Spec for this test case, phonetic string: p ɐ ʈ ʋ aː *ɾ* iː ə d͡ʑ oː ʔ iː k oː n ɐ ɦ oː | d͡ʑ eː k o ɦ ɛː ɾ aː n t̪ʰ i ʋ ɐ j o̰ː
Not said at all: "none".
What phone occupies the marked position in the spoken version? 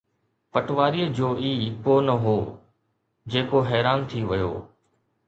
ɾ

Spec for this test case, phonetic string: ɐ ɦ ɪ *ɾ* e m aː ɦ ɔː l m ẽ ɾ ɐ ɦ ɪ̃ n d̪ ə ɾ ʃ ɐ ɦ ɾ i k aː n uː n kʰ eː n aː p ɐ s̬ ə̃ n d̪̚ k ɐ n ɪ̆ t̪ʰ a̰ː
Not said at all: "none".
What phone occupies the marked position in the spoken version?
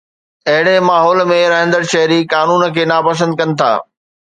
ɽ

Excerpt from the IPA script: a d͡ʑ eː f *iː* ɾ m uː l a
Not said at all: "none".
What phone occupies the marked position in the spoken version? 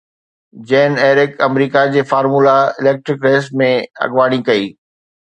aː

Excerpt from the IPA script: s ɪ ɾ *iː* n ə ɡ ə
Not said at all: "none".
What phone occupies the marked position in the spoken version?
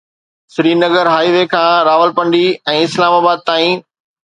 iː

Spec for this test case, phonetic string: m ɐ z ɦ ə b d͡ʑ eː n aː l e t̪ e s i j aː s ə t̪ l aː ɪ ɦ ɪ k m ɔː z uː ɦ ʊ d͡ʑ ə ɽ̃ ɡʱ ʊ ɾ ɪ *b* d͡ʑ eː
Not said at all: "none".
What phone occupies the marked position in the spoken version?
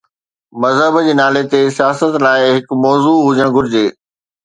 none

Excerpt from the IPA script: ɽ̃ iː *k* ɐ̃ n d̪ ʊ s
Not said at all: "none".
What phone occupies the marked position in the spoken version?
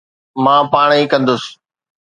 k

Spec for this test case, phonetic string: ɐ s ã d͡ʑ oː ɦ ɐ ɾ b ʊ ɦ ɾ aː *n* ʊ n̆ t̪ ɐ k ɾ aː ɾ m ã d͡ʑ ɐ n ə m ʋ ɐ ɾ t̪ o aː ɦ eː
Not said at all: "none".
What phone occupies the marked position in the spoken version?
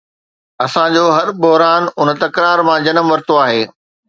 n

